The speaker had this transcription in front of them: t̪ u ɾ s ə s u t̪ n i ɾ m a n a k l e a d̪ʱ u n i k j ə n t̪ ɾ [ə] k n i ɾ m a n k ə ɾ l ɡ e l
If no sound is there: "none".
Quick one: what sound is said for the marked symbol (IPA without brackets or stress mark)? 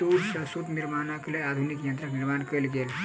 a